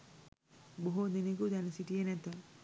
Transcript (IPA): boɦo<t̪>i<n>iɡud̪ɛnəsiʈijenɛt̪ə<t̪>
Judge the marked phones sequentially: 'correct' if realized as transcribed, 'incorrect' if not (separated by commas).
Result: incorrect, correct, incorrect